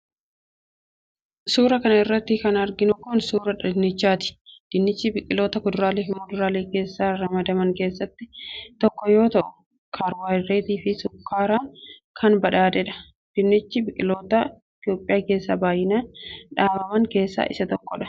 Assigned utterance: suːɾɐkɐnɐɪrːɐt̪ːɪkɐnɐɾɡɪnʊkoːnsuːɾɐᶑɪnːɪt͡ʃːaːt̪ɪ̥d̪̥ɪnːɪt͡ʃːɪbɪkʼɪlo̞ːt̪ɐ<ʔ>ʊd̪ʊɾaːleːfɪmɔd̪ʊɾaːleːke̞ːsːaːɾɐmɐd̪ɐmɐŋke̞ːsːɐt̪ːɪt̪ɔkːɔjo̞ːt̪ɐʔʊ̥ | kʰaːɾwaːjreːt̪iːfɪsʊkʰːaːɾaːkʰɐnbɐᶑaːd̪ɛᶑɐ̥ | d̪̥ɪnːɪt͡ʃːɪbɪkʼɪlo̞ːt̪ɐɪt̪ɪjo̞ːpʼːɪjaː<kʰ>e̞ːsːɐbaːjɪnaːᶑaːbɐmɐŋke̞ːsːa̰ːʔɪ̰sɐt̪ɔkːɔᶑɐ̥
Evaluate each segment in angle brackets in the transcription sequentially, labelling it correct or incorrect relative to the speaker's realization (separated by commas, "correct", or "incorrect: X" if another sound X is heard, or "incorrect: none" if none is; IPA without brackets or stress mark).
incorrect: k, incorrect: k